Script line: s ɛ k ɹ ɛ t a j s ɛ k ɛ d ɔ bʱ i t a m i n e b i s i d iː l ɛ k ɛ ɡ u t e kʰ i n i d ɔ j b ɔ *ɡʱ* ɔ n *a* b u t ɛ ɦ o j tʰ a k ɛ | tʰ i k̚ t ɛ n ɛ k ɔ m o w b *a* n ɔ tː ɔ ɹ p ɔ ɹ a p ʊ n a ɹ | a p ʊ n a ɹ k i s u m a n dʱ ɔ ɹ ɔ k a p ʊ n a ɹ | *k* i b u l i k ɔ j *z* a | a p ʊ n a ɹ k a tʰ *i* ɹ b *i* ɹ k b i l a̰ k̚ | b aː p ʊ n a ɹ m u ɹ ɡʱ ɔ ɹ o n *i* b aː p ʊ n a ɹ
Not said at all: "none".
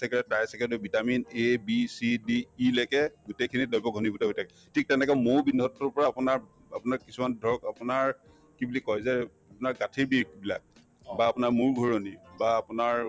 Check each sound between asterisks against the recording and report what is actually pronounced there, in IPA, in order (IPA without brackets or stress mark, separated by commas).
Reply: ɡʱ, i, i, k, z, i, i, i